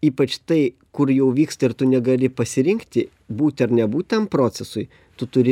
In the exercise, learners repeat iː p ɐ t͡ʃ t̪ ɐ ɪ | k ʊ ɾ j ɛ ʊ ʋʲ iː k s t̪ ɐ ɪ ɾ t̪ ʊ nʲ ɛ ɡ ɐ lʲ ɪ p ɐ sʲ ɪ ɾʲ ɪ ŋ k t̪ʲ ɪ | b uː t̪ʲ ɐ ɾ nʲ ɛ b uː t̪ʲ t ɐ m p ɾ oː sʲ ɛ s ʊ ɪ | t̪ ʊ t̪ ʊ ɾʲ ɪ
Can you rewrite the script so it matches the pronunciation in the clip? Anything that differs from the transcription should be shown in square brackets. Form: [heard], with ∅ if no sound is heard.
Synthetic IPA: iː p ɐ t͡ʃ t̪ ɐ ɪ | k ʊ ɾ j ɛ ʊ ʋʲ iː k s t̪ ɐ ɪ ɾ t̪ ʊ nʲ ɛ ɡ ɐ lʲ ɪ p ɐ sʲ ɪ ɾʲ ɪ ŋ k t̪ʲ ɪ | b uː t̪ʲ ɐ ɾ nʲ ɛ b uː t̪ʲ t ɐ m p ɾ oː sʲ ɛ s ʊ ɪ | t̪ ʊ t̪ ʊ ɾʲ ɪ

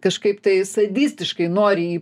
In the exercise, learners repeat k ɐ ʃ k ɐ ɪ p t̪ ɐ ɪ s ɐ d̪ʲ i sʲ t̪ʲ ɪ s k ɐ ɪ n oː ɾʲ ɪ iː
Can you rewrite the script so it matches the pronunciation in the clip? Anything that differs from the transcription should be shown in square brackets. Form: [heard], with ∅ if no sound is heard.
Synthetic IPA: k ɐ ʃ k ɐ ɪ p t̪ ɐ ɪ s ɐ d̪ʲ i sʲ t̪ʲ ɪ [ʃ] k ɐ ɪ n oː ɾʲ ɪ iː

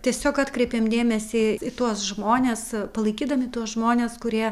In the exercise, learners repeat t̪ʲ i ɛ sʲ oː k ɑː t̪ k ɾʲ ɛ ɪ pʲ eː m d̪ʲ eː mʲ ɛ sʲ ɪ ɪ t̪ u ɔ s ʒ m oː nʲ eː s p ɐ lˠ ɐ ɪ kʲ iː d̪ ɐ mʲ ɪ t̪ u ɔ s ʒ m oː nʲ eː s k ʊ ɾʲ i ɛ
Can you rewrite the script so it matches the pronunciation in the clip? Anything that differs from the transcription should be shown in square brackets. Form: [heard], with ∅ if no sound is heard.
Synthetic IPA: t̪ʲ i ɛ sʲ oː k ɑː t̪ k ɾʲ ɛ ɪ pʲ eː m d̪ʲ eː mʲ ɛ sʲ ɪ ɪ t̪ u ɔ s ʒ m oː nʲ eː s p ɐ lˠ ɐ ɪ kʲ iː d̪ ɐ mʲ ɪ t̪ u ɔ s ʒ m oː nʲ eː s k ʊ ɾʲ i ɛ

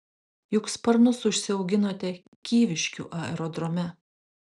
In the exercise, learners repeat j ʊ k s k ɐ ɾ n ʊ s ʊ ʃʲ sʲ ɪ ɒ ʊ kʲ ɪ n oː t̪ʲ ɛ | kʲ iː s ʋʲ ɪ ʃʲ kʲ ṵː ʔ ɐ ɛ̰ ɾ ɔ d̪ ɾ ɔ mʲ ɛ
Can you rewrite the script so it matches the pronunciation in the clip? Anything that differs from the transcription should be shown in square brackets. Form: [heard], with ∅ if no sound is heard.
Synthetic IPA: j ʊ k s [p] ɐ ɾ n ʊ s ʊ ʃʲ sʲ ɪ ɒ ʊ [ɡʲ] ɪ n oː t̪ʲ ɛ | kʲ iː [∅] ʋʲ ɪ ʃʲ kʲ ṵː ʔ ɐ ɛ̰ ɾ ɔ d̪ ɾ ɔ mʲ ɛ

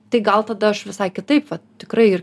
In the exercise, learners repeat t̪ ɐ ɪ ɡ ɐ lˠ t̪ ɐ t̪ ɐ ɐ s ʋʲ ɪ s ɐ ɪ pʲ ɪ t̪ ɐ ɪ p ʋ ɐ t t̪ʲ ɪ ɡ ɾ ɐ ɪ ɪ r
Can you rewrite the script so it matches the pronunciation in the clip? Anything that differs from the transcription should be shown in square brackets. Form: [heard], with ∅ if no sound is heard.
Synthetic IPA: t̪ ɐ ɪ ɡ ɐ lˠ t̪ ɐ [d̪] ɐ ɐ [ʃ] ʋʲ ɪ s ɐ ɪ [kʲ] ɪ t̪ ɐ ɪ p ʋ ɐ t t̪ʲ ɪ [k] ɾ ɐ ɪ ɪ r

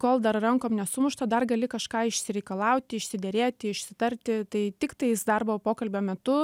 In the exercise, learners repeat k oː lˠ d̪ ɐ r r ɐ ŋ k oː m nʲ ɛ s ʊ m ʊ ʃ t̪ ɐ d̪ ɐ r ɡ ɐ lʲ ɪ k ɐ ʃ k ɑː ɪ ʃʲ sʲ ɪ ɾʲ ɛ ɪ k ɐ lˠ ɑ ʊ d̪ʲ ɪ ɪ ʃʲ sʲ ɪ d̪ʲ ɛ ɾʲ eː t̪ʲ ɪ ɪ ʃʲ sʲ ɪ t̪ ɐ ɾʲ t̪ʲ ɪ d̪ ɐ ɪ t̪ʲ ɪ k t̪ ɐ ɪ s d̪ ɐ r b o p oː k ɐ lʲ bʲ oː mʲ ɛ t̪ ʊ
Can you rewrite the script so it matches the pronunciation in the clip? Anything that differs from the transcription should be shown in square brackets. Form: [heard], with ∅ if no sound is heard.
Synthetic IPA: k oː lˠ d̪ ɐ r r ɐ ŋ k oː m nʲ ɛ s ʊ m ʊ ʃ t̪ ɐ d̪ ɐ r ɡ ɐ lʲ ɪ k ɐ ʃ k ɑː ɪ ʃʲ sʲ ɪ ɾʲ ɛ ɪ k ɐ lˠ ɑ ʊ [t̪ʲ] ɪ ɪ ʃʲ sʲ ɪ d̪ʲ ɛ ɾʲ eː t̪ʲ ɪ ɪ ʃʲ sʲ ɪ t̪ ɐ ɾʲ t̪ʲ ɪ [t̪] ɐ ɪ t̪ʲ ɪ k t̪ ɐ ɪ s d̪ ɐ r b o p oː k ɐ lʲ bʲ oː mʲ ɛ t̪ ʊ

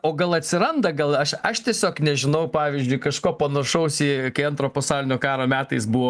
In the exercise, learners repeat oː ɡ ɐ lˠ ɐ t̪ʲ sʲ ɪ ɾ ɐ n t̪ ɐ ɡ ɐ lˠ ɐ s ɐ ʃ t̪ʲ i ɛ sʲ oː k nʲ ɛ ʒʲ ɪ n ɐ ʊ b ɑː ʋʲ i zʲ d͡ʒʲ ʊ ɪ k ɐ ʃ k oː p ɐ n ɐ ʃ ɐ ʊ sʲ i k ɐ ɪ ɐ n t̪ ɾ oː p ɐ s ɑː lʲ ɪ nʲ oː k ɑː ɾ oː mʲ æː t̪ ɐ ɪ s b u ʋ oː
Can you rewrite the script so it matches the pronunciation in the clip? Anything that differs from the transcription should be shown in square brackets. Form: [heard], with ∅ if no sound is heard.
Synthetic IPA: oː ɡ ɐ lˠ ɐ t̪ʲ sʲ ɪ ɾ ɐ n [d̪] ɐ ɡ ɐ lˠ ɐ [ʃ] ɐ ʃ t̪ʲ i ɛ sʲ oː k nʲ ɛ ʒʲ ɪ n ɐ ʊ [p] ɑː ʋʲ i zʲ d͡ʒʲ ʊ ɪ k ɐ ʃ k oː p ɐ n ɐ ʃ ɐ ʊ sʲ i k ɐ ɪ ɐ n t̪ ɾ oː p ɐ s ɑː lʲ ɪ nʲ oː k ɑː ɾ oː mʲ æː t̪ ɐ ɪ s b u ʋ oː

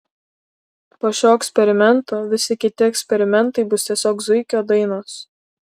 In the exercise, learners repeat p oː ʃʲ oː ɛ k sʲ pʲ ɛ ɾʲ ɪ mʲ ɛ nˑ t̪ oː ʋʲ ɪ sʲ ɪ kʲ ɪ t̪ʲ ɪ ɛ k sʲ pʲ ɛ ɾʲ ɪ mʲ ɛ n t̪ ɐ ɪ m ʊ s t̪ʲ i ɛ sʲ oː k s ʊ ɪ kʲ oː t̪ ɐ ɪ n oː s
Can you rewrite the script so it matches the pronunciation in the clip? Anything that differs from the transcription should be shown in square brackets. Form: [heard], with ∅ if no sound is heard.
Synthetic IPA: p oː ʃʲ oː ɛ k sʲ pʲ ɛ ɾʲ ɪ mʲ ɛ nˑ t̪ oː ʋʲ ɪ sʲ ɪ kʲ ɪ t̪ʲ ɪ ɛ k sʲ pʲ ɛ ɾʲ ɪ mʲ ɛ n t̪ ɐ ɪ [b] ʊ s t̪ʲ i ɛ sʲ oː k [z] ʊ ɪ kʲ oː [d̪] ɐ ɪ n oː s

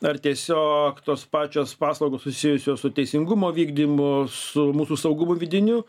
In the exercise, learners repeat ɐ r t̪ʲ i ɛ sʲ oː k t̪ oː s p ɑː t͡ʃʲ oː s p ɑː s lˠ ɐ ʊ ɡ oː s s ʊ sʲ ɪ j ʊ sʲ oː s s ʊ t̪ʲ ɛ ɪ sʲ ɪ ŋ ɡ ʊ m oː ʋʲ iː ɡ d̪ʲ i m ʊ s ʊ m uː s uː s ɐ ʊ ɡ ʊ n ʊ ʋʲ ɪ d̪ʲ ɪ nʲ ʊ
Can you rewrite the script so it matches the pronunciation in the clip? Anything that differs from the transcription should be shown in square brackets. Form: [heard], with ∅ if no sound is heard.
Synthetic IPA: ɐ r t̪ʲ i ɛ sʲ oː k t̪ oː s p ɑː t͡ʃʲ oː s p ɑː s lˠ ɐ ʊ ɡ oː s s ʊ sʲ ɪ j ʊ sʲ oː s s ʊ t̪ʲ ɛ ɪ sʲ ɪ ŋ ɡ ʊ m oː ʋʲ iː ɡ d̪ʲ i m ʊ s ʊ m uː s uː s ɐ ʊ ɡ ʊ [m] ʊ ʋʲ ɪ d̪ʲ ɪ nʲ ʊ

